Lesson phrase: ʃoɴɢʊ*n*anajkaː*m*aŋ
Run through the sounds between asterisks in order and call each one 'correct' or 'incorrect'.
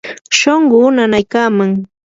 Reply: correct, correct

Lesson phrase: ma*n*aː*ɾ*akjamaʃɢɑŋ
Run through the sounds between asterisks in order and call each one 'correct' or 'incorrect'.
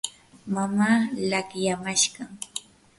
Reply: incorrect: m, incorrect: l

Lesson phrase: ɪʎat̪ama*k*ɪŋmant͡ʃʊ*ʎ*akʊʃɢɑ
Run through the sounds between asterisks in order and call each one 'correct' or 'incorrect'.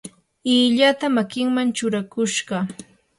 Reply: correct, incorrect: ɾ

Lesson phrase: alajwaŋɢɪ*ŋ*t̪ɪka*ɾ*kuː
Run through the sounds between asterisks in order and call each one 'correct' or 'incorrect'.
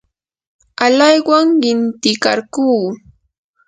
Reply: incorrect: n, correct

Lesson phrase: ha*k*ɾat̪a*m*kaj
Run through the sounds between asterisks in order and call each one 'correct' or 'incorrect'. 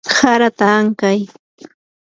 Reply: incorrect: none, incorrect: ŋ

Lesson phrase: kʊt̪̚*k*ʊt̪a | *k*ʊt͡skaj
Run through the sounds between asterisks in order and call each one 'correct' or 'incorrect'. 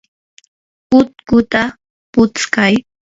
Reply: correct, incorrect: p

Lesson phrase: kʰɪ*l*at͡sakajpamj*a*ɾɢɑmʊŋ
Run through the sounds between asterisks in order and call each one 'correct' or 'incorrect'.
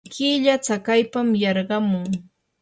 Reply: incorrect: ʎ, incorrect: ɑ

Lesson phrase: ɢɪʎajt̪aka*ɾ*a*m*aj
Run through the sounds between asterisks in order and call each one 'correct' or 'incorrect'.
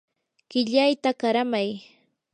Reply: correct, correct

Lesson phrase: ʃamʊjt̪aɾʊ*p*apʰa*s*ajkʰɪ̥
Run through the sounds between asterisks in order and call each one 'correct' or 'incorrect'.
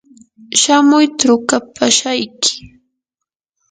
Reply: incorrect: k, incorrect: ʃ

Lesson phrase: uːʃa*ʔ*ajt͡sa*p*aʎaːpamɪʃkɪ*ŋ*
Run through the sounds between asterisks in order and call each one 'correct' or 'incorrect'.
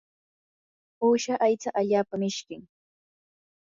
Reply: correct, incorrect: ʔ, correct

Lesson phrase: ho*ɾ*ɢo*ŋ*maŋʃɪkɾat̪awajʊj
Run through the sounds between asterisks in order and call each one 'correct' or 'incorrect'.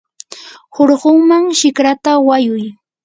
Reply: correct, correct

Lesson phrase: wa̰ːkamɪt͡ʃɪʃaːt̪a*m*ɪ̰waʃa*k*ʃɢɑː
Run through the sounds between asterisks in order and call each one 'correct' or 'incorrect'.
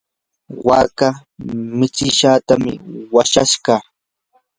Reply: correct, incorrect: none

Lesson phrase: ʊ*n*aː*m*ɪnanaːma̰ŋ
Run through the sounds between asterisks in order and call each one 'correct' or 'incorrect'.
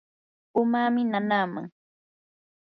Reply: incorrect: m, correct

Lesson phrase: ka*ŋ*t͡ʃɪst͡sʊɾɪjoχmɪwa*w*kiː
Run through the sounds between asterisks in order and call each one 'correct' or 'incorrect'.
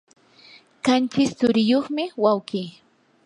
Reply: incorrect: n, correct

